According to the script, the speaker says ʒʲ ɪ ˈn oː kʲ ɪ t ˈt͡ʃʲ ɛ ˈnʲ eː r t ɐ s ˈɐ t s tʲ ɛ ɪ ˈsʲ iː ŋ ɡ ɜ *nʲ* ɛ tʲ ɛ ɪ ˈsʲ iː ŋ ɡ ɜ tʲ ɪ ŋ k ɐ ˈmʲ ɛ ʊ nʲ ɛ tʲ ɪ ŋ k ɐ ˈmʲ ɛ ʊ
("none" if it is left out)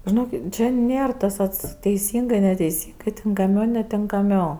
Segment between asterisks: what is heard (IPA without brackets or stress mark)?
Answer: nʲ